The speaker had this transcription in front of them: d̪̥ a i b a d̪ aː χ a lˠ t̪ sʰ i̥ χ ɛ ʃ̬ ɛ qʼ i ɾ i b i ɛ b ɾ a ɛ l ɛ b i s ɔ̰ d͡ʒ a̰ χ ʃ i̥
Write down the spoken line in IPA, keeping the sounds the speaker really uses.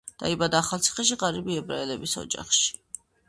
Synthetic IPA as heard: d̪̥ a i b a d̪ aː χ a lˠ t̪ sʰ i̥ χ ɛ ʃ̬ i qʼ a ɾ i b i ɛ b ɾ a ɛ l ɛ b i s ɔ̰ d͡ʒ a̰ χ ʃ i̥